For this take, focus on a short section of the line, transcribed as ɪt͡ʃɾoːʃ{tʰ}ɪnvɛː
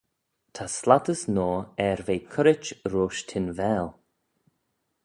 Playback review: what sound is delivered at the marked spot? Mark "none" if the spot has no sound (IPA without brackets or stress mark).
tʰ